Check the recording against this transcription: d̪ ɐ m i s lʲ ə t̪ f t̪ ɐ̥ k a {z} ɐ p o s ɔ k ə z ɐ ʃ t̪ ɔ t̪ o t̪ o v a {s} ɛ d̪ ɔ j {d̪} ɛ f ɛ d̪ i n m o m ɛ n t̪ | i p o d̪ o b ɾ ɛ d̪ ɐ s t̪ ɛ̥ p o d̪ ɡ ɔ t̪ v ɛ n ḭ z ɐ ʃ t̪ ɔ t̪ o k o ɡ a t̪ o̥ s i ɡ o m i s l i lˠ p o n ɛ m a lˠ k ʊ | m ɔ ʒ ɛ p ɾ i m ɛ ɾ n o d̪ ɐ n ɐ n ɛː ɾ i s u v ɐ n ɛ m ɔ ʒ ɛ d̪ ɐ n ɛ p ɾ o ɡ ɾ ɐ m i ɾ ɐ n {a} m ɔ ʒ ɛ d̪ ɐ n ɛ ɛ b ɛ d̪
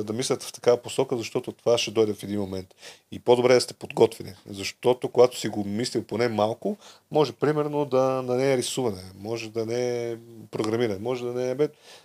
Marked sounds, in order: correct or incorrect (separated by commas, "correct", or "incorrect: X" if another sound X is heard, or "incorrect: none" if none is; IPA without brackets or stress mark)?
incorrect: v, incorrect: ʃ, correct, incorrect: ɛ